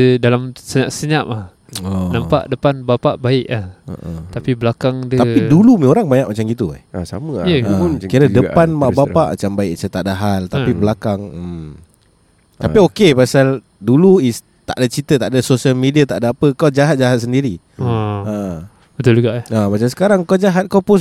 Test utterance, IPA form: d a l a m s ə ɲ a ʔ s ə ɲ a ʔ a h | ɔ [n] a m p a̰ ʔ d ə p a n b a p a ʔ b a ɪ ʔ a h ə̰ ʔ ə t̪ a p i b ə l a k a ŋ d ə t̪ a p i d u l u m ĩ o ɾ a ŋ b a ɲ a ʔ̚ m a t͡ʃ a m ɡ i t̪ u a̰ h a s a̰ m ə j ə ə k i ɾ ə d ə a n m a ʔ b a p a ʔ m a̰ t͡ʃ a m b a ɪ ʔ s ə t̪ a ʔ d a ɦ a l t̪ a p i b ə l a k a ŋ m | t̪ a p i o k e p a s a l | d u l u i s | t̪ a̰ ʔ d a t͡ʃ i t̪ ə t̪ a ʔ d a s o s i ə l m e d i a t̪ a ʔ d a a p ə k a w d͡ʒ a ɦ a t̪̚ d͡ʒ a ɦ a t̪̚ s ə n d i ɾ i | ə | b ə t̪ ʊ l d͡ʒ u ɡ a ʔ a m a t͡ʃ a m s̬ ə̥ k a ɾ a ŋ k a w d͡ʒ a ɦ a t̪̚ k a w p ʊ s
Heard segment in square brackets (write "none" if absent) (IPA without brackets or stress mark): n